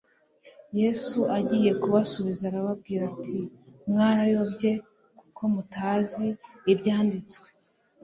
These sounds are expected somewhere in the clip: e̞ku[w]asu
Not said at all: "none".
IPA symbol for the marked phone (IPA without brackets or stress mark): β